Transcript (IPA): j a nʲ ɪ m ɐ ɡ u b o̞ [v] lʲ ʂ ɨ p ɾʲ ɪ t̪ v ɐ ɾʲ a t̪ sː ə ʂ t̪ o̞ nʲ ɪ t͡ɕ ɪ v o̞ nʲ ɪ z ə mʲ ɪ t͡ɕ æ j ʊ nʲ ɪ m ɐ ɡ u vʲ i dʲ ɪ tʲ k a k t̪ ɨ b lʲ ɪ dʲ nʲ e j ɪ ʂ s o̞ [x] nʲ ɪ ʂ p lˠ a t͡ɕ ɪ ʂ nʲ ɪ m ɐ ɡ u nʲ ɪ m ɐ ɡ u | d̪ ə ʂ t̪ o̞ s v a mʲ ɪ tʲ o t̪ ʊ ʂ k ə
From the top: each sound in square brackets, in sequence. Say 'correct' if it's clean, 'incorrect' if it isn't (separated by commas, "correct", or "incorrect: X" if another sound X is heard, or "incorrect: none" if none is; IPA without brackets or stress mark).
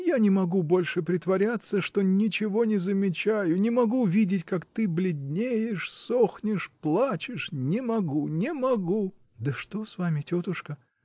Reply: incorrect: none, correct